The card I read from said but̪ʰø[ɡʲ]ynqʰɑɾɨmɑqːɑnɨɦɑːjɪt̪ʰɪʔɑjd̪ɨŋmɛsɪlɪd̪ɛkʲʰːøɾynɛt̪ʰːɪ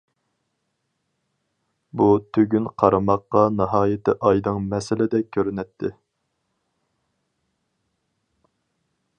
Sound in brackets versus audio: correct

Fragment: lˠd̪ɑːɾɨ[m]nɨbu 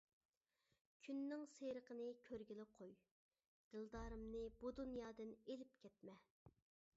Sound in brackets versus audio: correct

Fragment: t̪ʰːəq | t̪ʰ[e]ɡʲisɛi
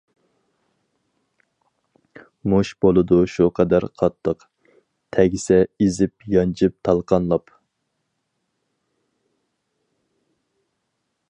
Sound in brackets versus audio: incorrect: ɛ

